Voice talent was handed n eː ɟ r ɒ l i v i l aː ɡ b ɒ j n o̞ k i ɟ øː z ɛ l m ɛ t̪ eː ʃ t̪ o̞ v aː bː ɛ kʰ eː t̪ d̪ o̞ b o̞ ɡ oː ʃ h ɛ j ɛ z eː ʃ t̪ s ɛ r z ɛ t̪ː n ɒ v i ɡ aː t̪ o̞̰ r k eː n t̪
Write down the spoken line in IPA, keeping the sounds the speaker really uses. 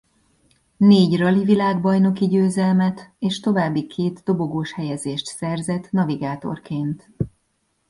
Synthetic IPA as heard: n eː ɟ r ɒ l i v i l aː ɡ b ɒ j n o̞ k i ɟ øː z ɛ l m ɛ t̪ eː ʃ t̪ o̞ v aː bː i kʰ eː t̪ d̪ o̞ b o̞ ɡ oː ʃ h ɛ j ɛ z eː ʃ t̪ s ɛ r z ɛ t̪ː n ɒ v i ɡ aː t̪ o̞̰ r k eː n t̪